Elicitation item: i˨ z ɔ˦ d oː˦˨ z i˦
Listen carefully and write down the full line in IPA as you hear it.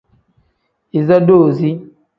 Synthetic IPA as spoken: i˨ z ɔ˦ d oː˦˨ z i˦

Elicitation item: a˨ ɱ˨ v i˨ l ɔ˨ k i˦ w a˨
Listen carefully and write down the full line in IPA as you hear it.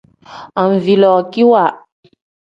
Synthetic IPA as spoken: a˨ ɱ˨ v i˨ l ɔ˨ k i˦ w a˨

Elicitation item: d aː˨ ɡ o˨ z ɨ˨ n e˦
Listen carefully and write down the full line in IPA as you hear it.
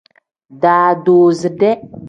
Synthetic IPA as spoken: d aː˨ d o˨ z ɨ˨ d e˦

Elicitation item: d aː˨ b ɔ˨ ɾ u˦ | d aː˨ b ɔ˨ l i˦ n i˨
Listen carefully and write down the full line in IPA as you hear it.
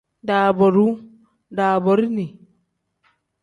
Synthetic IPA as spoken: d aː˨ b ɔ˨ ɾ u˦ | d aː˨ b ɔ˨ ɾ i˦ n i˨

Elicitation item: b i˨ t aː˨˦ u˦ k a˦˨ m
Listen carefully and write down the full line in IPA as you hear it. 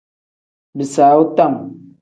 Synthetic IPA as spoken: b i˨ s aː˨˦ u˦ t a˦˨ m

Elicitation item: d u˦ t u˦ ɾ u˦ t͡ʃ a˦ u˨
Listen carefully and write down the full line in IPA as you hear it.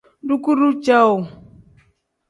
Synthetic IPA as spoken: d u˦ k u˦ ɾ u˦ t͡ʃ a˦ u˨

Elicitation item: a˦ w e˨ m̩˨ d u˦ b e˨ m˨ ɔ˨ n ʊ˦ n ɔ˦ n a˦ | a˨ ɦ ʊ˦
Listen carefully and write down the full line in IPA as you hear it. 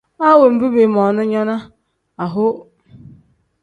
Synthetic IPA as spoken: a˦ w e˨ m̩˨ b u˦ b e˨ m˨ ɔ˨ n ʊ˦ ɲ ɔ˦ n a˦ | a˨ ɦ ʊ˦

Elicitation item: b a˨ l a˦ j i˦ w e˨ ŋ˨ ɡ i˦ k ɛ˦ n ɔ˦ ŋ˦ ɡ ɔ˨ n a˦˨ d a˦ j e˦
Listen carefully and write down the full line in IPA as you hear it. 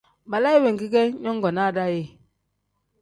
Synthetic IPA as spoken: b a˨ l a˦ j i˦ w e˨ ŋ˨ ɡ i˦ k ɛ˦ ɲ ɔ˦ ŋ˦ ɡ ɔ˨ n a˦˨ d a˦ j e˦

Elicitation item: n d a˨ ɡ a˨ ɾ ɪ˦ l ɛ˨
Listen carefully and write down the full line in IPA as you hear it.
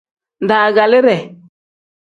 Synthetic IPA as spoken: n d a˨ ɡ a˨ l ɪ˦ ɾ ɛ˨

